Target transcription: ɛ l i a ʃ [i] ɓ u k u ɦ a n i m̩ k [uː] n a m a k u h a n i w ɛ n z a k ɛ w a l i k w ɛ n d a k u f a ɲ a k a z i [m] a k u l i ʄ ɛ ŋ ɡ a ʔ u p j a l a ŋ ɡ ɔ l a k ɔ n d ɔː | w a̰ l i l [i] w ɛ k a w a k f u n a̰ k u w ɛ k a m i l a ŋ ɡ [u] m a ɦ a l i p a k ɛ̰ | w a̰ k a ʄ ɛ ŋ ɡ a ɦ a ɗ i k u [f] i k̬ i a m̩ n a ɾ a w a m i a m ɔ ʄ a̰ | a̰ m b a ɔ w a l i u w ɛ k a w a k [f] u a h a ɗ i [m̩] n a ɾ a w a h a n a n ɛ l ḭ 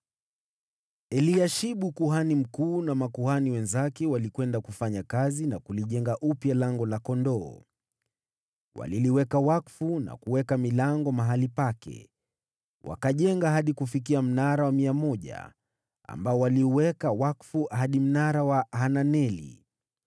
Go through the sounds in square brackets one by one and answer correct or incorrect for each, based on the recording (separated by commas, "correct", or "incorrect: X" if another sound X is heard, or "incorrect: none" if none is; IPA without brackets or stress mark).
correct, correct, incorrect: n, correct, incorrect: ɔ, correct, correct, correct